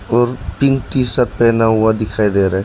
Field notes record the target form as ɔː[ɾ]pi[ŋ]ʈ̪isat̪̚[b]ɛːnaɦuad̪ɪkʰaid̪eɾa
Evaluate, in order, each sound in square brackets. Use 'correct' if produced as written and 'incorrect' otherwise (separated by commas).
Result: correct, correct, incorrect